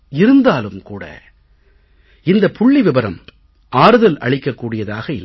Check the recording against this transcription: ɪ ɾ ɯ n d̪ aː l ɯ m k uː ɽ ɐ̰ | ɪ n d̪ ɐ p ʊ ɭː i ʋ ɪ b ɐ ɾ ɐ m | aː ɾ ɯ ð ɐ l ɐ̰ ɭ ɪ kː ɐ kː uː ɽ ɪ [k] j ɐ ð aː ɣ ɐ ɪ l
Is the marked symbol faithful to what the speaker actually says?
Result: no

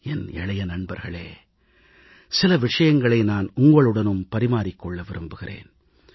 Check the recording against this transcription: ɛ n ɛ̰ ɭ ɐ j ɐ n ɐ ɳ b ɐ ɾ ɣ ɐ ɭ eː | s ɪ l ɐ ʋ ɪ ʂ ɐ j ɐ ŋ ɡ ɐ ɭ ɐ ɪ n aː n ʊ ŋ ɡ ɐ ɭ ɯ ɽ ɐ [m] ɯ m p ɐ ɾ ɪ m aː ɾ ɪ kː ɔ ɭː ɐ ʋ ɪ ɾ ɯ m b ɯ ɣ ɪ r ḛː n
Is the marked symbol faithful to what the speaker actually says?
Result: no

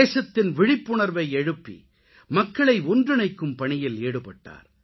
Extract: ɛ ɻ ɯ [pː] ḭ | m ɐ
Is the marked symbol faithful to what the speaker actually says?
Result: yes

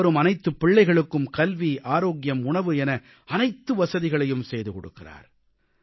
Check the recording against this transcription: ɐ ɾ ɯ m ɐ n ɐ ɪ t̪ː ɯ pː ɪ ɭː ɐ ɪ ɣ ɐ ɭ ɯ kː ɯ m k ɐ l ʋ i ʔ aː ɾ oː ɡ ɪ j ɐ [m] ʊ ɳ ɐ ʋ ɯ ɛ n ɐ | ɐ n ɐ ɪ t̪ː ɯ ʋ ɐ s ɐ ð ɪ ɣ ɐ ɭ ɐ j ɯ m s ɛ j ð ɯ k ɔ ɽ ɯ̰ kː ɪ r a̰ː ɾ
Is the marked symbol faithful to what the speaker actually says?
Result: yes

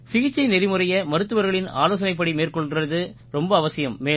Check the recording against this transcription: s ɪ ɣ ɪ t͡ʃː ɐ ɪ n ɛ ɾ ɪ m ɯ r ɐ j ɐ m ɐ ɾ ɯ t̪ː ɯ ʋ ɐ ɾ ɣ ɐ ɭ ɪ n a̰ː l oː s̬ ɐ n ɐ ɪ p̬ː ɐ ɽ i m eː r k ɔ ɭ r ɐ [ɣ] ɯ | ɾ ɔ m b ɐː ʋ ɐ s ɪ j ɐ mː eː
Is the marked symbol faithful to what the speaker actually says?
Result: no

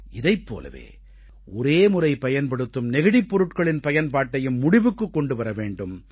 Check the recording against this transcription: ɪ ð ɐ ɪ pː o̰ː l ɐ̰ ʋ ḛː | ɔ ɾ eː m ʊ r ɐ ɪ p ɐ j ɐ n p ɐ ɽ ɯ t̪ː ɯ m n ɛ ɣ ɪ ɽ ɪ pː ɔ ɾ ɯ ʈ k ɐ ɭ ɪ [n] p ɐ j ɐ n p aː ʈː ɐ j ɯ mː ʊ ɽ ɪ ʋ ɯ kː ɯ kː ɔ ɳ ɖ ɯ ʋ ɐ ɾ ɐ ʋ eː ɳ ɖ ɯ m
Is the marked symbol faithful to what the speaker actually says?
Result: yes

